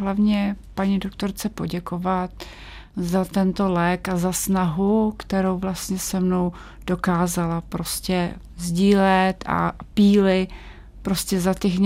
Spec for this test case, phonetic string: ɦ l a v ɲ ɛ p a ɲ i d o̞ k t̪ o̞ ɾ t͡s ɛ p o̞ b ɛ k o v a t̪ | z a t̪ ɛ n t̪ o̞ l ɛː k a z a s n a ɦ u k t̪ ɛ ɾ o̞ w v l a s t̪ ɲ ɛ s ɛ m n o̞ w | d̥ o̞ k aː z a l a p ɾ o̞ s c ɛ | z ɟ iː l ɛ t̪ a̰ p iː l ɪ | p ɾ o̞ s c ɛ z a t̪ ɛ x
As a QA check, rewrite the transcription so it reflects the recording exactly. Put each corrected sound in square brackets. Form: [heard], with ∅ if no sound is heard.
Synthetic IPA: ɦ l a v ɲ ɛ p a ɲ i d o̞ k t̪ o̞ ɾ t͡s ɛ p o̞ [ɟ] ɛ k o v a t̪ | z a t̪ ɛ n t̪ o̞ l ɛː k a z a s n a ɦ u k t̪ ɛ ɾ o̞ w v l a s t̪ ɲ ɛ s ɛ m n o̞ w | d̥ o̞ k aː z a l a p ɾ o̞ s c ɛ | z ɟ iː l ɛ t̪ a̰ p iː l ɪ | p ɾ o̞ s c ɛ z a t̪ ɛ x